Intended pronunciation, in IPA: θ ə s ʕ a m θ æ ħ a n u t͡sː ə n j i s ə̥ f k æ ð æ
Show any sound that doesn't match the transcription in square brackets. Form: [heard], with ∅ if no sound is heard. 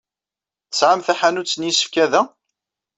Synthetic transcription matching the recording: θ ə s ʕ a m θ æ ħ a n u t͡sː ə n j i s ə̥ f k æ ð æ